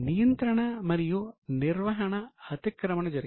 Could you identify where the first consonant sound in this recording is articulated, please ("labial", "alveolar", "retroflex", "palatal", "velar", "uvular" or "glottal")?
alveolar